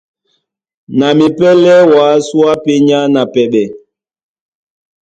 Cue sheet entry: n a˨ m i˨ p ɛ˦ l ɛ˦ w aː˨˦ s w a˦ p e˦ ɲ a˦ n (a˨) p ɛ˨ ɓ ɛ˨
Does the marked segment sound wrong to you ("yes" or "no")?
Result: no